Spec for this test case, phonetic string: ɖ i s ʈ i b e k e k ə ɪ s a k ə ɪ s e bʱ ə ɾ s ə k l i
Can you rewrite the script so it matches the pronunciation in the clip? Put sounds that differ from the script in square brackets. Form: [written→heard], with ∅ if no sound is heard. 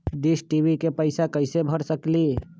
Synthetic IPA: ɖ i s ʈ i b [e→i] k e [k→p] ə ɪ s a k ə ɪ s e bʱ ə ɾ s ə k l i